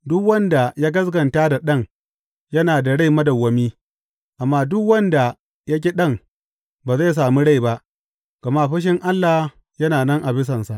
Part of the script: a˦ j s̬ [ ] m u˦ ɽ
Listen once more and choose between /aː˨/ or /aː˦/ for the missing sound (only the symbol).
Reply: aː˨